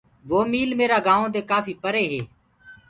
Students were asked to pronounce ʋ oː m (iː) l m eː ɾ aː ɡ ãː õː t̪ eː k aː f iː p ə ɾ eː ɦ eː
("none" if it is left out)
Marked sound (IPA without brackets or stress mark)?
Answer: iː